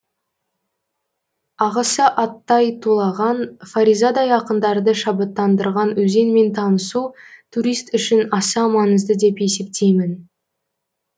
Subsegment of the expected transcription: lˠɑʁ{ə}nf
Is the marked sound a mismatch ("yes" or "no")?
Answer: yes